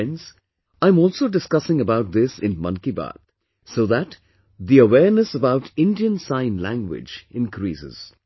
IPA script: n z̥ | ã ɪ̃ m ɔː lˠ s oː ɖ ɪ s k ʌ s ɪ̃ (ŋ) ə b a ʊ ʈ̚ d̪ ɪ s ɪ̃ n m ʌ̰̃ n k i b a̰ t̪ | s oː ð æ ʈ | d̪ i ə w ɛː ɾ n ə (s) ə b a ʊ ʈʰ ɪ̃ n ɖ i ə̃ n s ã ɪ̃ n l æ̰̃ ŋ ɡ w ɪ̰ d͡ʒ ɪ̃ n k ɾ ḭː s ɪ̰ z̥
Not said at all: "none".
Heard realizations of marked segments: ŋ, s

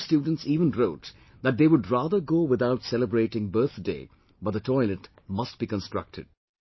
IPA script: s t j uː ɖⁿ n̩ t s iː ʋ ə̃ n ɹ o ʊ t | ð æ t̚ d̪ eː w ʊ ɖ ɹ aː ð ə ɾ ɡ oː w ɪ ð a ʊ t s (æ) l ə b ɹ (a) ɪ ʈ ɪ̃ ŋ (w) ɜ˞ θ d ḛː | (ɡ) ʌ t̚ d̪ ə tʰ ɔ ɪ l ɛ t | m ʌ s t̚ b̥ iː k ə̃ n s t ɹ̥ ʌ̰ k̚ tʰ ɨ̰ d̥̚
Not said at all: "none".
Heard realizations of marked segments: ɛ, e, b, b

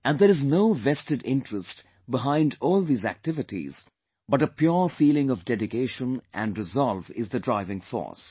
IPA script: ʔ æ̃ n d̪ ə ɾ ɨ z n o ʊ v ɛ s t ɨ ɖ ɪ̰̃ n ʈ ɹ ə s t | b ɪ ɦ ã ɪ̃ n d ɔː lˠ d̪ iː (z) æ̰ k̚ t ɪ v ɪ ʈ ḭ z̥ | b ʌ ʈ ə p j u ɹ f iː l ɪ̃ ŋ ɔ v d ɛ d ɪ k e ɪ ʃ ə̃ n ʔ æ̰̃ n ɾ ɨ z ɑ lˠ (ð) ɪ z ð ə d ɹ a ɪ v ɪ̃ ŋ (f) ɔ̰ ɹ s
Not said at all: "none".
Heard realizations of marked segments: z, v, f

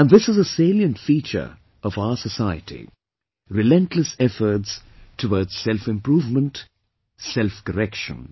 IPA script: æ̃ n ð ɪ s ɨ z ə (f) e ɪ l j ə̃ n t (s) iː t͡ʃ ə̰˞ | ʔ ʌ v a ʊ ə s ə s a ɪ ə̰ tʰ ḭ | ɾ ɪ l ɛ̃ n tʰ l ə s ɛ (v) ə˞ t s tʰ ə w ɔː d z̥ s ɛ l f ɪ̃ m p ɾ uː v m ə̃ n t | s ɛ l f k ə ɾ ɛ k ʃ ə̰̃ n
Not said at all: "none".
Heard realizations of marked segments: s, f, f

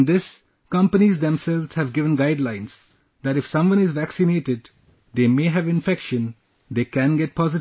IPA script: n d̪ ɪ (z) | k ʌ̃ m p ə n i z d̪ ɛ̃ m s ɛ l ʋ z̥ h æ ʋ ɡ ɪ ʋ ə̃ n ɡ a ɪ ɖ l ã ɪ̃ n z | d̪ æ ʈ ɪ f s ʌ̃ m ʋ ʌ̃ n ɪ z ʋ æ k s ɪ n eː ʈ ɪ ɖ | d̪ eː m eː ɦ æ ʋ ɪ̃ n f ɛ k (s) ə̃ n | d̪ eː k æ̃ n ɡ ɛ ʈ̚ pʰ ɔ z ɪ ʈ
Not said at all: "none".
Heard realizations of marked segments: s, ʃ

